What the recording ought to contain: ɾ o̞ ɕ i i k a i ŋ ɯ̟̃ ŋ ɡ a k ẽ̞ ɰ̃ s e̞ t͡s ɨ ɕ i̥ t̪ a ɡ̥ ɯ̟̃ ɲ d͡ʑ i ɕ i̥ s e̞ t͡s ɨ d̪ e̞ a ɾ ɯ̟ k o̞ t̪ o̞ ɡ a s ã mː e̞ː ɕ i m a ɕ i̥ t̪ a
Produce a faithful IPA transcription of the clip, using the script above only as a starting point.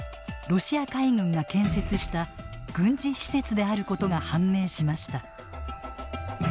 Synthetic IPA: ɾ o̞ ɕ i a k a i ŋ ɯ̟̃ ŋ ɡ a k ẽ̞ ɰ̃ s e̞ t͡s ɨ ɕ i̥ t̪ a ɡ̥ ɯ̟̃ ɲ d͡ʑ i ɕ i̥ s e̞ t͡s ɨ d̪ e̞ a ɾ ɯ̟ k o̞ t̪ o̞ ɡ a h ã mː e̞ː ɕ i m a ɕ i̥ t̪ a